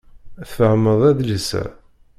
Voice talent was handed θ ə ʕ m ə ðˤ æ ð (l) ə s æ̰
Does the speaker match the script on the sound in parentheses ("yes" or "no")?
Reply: yes